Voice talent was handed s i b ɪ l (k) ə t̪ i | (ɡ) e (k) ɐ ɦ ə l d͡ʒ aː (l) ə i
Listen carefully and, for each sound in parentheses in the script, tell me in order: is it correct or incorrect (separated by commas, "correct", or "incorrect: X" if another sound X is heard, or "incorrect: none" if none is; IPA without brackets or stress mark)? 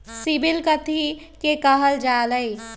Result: correct, incorrect: k, correct, correct